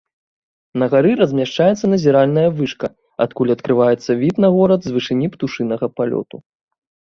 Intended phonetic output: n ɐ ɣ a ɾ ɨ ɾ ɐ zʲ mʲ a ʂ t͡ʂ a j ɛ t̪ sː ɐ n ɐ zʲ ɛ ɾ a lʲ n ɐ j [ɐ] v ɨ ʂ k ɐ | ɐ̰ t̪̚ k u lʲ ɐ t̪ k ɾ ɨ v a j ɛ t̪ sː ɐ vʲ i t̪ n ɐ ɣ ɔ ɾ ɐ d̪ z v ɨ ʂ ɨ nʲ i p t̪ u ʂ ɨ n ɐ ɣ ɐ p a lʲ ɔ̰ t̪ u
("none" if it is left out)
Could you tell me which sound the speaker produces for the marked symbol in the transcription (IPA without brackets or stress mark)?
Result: ɐ